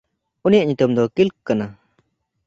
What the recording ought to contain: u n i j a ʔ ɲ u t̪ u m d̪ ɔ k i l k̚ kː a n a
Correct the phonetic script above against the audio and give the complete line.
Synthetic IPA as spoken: u n i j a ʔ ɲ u t̪ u m d̪ ɔ k i l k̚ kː a n a